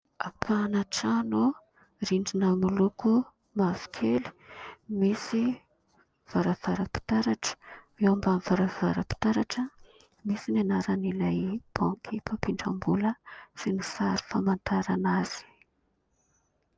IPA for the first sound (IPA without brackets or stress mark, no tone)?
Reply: a